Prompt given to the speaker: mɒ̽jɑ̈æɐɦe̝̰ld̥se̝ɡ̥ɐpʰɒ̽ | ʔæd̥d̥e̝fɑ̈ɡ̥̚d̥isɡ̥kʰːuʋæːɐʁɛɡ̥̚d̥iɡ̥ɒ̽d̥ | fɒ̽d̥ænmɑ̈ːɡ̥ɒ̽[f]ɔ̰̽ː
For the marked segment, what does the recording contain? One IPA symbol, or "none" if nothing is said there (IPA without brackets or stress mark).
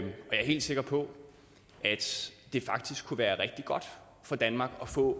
f